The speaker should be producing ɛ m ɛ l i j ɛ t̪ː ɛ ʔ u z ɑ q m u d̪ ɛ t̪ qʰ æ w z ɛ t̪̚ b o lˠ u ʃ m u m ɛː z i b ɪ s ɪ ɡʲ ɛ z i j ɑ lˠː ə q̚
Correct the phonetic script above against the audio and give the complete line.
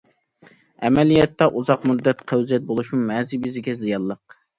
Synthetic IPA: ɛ m ɛ l i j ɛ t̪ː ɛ ʔ u z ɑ q m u d̪ː ɛ t̪ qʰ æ w z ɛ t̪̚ b o lˠ u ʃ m u m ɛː z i b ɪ z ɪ ɡʲ ɛ z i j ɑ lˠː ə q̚